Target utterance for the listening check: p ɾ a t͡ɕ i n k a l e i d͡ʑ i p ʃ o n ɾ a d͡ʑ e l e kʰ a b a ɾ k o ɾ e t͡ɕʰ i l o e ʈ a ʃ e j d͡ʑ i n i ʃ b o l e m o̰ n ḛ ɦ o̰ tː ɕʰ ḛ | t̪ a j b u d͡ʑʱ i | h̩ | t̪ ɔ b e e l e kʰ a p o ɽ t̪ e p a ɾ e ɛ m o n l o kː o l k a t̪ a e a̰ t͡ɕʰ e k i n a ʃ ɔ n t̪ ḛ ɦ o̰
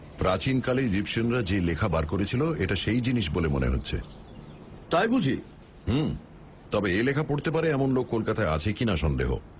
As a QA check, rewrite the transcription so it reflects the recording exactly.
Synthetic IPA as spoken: p ɾ a t͡ɕ i n k a l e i d͡ʑ i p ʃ o n ɾ a d͡ʑ e l e kʰ a b a ɾ k o ɾ e t͡ɕʰ i l o e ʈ a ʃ e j d͡ʑ i n i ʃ b o l e m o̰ n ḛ ɦ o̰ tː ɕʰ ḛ | t̪ a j b u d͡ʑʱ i | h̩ | t̪ ɔ b e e l e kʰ a p o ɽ t̪ e p a ɾ e ɛ m o n l o kː o l k a t̪ a e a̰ t͡ɕʰ e k i n a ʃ ɔ n d̪ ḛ ɦ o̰